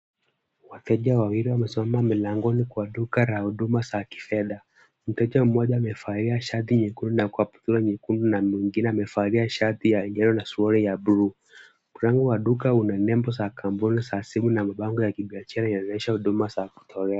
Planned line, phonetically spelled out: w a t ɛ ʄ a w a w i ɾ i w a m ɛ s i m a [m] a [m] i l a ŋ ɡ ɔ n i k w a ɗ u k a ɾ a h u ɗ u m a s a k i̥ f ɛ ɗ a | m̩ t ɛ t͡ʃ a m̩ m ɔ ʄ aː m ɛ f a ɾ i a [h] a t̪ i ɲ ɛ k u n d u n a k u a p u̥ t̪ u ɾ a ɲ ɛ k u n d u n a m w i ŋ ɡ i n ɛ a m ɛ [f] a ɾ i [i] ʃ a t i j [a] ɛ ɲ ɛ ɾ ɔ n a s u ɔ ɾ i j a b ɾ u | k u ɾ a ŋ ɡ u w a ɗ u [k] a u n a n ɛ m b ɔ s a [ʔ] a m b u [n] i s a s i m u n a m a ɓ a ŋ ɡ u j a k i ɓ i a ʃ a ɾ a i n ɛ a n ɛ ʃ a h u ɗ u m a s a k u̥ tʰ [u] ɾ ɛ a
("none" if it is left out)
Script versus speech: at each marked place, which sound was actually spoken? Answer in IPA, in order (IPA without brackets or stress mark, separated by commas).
m, m, ʃ, f, a, a, k, k, n, ɔ